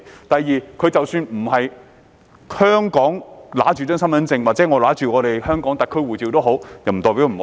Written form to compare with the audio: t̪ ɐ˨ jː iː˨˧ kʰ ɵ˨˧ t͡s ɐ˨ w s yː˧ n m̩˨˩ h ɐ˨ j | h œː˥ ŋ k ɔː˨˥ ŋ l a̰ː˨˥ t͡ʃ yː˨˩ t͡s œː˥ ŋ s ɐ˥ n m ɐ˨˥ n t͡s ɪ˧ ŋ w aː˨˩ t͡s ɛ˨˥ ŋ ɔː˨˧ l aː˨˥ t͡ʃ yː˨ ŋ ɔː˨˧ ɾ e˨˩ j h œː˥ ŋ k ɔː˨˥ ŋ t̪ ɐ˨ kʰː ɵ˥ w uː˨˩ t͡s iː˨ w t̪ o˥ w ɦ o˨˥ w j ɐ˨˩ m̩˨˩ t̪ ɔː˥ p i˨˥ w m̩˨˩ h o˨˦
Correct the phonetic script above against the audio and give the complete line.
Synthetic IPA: t̪ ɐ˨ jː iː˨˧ kʰ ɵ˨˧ t͡s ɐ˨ w s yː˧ n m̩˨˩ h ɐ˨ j | h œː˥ ŋ k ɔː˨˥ ŋ l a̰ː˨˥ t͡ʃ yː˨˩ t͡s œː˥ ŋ s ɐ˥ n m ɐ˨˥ n t͡s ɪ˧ ŋ w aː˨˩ t͡s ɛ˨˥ ŋ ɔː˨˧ l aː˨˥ t͡ʃ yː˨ ŋ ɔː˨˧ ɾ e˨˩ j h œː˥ ŋ k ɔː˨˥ ŋ t̪ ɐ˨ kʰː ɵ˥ w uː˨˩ t͡s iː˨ w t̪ o˥ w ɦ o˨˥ w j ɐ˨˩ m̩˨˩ t̪ ɔː˨˩ p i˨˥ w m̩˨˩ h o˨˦

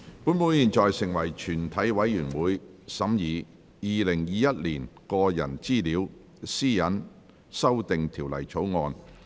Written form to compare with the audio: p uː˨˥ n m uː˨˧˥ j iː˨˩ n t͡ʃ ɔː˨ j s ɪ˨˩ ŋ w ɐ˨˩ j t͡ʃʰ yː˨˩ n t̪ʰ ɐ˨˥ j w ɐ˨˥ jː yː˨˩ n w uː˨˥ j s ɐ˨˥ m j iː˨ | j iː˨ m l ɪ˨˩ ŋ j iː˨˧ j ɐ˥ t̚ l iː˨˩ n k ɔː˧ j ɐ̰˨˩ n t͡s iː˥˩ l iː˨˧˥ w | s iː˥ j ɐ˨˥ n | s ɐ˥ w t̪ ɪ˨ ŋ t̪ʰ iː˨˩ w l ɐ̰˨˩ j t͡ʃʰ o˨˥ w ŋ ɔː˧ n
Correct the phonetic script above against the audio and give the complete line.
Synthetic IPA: p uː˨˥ n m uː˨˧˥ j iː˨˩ n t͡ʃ ɔː˨ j s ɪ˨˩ ŋ w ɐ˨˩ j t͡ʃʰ yː˨˩ n t̪ʰ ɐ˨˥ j w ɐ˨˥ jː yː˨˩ n w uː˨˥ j s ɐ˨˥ m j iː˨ | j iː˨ l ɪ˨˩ ŋ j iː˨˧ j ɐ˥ t̚ l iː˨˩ n k ɔː˧ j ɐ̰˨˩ n t͡s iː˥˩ l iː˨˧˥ w | s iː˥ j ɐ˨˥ n | s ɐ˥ w t̪ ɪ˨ ŋ t̪ʰ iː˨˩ w l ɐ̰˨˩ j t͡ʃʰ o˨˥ w ŋ ɔː˧ n

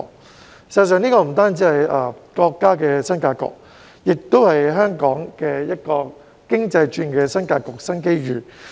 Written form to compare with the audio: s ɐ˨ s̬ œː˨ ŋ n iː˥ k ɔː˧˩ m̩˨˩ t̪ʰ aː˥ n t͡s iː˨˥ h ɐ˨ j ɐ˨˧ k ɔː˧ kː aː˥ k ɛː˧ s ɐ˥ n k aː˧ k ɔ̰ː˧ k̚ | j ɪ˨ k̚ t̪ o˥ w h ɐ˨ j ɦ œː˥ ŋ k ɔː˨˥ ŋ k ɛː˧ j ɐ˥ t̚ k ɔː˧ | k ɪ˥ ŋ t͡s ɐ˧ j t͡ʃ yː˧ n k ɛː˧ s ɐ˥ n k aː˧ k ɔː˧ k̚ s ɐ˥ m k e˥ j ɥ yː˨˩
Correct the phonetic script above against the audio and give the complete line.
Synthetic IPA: s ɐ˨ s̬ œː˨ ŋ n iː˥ k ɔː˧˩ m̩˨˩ t̪ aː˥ n t͡s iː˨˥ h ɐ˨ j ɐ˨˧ k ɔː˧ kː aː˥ k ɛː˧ s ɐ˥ n k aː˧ k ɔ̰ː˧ k̚ | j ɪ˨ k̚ t̪ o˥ w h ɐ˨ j ɦ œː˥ ŋ k ɔː˨˥ ŋ k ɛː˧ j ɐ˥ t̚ k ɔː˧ | k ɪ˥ ŋ t͡s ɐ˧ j t͡ʃ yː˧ n k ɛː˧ s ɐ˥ n k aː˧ k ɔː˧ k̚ s ɐ˥ n k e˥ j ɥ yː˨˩

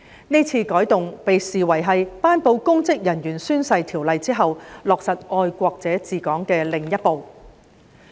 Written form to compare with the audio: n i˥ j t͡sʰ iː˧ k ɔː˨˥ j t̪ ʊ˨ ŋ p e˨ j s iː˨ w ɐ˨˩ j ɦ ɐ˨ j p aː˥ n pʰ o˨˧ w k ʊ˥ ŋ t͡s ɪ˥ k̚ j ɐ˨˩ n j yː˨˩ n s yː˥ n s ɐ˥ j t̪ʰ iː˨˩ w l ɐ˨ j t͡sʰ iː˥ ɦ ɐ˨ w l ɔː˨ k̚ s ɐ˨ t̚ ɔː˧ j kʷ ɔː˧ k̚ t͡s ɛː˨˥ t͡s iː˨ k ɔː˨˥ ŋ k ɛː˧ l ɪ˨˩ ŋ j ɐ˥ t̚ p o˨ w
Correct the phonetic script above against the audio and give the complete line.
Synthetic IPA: n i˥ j t͡sʰ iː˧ k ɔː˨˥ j t̪ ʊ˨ ŋ p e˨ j s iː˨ w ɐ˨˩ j ɦ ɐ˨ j p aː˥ n p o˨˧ w k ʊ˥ ŋ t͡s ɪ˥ k̚ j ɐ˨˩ n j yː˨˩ n s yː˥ n s ɐ˧ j t̪ʰ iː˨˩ w l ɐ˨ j t͡s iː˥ ɦ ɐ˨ w l ɔː˨ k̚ s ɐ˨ t̚ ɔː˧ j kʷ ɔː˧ k̚ t͡s ɛː˨˥ t͡s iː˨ k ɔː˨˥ ŋ k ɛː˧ l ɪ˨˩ ŋ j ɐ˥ t̚ p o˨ w

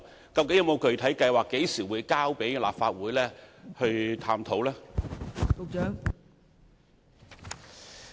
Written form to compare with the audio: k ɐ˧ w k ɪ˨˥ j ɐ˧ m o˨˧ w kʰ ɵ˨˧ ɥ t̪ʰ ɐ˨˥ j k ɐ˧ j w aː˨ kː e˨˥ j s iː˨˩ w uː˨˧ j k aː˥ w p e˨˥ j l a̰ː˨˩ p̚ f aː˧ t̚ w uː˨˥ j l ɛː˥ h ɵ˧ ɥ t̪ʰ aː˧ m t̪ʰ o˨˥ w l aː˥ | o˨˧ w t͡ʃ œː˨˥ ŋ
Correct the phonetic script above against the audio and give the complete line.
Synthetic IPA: k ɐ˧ w k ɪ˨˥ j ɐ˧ m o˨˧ w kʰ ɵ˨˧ ɥ t̪ʰ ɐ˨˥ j k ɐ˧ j w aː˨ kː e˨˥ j s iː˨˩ w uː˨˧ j k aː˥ w p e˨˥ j l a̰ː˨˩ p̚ f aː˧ t̚ w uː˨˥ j l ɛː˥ h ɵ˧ ɥ t̪ʰ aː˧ m t̪ʰ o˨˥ w l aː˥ | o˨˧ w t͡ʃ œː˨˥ ŋ

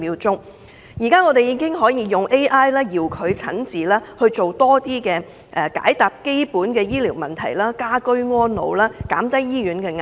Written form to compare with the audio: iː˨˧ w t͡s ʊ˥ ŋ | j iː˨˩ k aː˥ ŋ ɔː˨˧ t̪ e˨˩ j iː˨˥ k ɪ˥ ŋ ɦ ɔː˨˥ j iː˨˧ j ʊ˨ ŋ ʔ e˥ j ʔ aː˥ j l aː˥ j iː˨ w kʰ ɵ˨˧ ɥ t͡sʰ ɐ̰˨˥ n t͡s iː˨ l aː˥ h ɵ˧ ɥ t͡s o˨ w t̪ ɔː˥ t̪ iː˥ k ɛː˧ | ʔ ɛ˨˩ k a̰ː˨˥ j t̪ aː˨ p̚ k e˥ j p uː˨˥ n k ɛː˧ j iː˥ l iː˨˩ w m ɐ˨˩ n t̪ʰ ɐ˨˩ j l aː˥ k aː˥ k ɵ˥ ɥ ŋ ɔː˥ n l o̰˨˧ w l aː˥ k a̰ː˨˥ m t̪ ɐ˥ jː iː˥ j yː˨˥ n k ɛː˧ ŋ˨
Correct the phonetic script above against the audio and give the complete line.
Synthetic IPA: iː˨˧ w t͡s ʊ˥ ŋ | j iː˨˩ k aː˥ ŋ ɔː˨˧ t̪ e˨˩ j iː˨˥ k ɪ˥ ŋ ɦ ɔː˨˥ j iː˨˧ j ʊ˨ ŋ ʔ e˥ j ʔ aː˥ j l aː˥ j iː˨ w kʰ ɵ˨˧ ɥ t͡sʰ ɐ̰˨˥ n t͡s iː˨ l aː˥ h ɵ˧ ɥ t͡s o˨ w t̪ ɔː˥ t̪ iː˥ k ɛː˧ | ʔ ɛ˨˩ k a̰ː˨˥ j t̪ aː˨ p̚ k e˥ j p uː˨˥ n k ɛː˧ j iː˥ l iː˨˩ w m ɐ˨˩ n t̪ʰ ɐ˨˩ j l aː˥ k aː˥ k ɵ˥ ɥ ŋ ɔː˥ n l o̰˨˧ w l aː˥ k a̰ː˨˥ m t̪ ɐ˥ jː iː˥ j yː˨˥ n k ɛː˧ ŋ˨

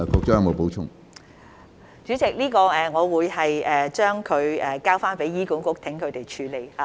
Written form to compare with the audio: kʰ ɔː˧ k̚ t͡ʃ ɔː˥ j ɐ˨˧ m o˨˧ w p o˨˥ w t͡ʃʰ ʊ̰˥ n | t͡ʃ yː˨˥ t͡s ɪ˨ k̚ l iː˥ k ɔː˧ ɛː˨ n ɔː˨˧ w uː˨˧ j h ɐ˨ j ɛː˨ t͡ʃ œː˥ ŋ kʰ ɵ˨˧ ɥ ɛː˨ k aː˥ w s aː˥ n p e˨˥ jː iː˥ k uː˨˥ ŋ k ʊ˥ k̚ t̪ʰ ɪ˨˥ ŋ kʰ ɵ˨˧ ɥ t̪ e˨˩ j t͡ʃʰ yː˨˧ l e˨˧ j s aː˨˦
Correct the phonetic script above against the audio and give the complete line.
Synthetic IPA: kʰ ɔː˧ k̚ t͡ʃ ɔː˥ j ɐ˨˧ m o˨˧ w p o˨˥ w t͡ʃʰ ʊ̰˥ ŋ | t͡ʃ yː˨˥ t͡s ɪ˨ k̚ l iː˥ k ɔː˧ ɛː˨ ŋ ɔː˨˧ w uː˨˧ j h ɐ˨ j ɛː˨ t͡ʃ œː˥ ŋ kʰ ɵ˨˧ ɥ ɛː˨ k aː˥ w f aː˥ n p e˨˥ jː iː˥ k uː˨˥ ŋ k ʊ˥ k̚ t̪ʰ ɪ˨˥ ŋ kʰ ɵ˨˧ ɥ t̪ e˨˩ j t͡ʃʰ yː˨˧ l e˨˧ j h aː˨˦

